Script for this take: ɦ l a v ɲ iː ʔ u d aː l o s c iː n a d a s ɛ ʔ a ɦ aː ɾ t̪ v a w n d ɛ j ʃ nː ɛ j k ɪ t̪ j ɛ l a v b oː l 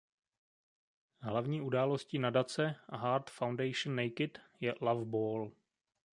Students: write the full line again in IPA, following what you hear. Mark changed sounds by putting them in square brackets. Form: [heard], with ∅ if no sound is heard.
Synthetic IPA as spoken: ɦ l a v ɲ iː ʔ u d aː l o s c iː n a d a [t͡s] ɛ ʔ a ɦ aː ɾ t̪ [f] a w n d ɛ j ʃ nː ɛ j k ɪ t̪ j ɛ l a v b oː l